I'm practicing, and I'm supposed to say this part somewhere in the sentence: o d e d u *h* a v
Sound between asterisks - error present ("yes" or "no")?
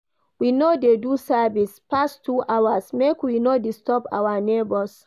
yes